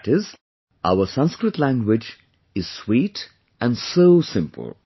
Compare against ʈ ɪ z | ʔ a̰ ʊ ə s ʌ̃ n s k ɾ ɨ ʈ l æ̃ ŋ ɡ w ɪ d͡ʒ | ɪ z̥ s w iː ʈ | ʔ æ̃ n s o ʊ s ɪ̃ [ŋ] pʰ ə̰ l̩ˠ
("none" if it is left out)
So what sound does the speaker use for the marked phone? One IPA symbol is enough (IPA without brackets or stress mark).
m